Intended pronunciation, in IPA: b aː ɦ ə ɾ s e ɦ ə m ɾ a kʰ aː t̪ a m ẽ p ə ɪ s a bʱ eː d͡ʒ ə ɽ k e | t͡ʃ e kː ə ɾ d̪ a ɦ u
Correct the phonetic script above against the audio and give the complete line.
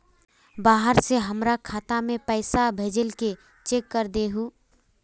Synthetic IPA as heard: b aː ɦ ə ɾ s e ɦ ə m ɾ a kʰ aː t̪ a m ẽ p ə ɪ s a bʱ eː d͡ʒ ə l k e | t͡ʃ e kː ə ɾ d̪ e ɦ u